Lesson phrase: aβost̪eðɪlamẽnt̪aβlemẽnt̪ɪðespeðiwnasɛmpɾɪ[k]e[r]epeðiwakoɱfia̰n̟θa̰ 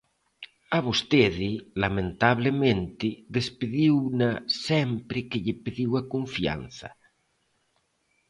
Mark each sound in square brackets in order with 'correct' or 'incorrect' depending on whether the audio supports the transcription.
correct, incorrect: ʎ

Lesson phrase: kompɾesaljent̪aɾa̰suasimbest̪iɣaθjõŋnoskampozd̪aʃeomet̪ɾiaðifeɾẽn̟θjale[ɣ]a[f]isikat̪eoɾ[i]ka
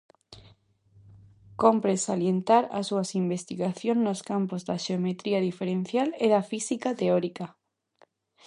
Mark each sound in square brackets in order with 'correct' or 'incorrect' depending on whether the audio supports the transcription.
incorrect: ð, correct, correct

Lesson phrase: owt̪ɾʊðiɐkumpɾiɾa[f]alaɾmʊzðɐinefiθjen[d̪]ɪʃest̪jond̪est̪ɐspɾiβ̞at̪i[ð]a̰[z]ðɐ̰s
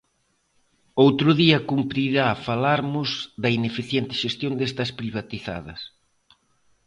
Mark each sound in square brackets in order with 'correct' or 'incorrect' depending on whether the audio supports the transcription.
correct, incorrect: t̪, incorrect: θ, incorrect: none

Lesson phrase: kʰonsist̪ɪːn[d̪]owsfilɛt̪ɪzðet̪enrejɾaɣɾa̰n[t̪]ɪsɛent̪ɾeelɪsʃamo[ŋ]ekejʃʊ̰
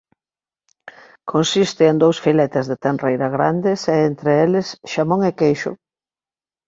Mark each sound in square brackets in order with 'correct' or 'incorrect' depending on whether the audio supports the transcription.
correct, incorrect: d̪, correct

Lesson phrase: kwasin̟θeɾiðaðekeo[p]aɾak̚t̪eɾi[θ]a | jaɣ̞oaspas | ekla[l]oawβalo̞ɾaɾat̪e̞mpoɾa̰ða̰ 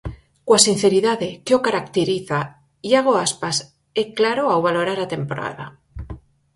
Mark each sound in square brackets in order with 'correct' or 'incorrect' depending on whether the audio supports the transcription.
incorrect: k, correct, incorrect: ɾ

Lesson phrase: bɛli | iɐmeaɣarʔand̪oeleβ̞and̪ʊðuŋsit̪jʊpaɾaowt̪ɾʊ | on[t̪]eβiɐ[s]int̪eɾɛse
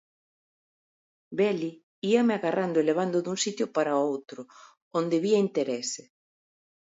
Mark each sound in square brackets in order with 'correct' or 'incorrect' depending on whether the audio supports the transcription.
incorrect: d̪, incorrect: none

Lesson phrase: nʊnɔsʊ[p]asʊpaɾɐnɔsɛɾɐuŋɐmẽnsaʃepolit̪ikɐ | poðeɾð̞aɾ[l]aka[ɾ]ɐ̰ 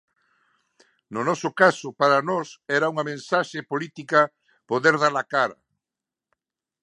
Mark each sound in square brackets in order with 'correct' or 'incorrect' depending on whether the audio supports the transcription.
incorrect: k, correct, correct

